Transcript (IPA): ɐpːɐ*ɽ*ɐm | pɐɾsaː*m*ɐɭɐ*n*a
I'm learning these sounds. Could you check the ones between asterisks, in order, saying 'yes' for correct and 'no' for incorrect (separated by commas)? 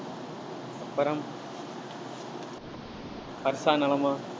no, no, no